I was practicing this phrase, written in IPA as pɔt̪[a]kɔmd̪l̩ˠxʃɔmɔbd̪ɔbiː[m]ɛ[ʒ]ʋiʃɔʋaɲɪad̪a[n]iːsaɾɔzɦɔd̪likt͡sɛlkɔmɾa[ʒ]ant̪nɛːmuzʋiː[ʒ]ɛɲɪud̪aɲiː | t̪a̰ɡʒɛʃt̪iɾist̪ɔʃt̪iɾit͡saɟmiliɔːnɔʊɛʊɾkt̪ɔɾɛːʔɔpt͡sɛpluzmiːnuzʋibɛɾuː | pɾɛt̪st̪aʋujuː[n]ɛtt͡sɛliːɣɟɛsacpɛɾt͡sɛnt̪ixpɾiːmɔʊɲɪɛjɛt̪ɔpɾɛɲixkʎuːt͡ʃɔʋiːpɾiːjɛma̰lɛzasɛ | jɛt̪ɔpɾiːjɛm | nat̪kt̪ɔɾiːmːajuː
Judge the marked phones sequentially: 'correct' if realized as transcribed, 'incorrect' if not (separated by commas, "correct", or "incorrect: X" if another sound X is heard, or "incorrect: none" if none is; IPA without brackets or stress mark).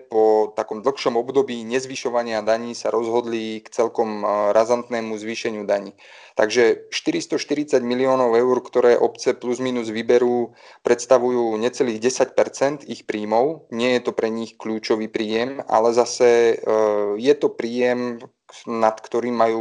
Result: correct, incorrect: ɲ, incorrect: z, incorrect: ɲ, incorrect: z, incorrect: ʃ, incorrect: ɲ